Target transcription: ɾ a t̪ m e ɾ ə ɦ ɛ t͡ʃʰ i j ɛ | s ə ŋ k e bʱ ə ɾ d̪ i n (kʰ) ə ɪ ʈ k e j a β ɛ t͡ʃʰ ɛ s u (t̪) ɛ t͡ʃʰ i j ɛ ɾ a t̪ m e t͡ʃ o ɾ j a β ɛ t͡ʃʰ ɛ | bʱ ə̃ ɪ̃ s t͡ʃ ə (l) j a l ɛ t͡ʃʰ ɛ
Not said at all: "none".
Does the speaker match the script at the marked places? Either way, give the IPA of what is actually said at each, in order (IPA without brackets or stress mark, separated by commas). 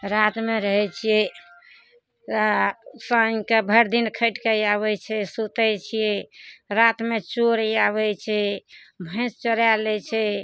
kʰ, t̪, ɾ